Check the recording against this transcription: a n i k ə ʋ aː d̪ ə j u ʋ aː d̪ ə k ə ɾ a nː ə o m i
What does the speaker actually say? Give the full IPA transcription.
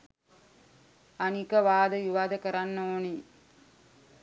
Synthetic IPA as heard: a n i k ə ʋ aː d̪ ə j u ʋ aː d̪ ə k ə ɾ a nː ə o n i